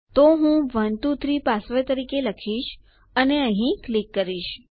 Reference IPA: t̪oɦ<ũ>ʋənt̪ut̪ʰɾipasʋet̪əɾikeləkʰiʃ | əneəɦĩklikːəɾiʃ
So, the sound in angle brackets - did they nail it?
yes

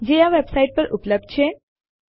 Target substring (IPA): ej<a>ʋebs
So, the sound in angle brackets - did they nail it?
yes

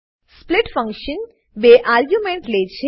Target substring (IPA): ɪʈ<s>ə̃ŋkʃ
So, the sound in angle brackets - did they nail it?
no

